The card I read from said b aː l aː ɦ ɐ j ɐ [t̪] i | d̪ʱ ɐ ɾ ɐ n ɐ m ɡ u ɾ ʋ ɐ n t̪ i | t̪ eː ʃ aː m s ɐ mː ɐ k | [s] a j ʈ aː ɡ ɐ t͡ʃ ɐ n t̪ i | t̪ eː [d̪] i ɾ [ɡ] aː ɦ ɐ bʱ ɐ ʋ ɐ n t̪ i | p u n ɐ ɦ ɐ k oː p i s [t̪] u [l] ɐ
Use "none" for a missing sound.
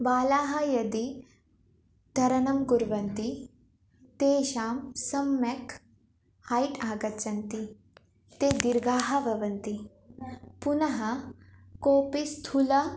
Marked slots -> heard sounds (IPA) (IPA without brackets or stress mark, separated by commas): d̪, h, d̪, ɡ, t̪ʰ, l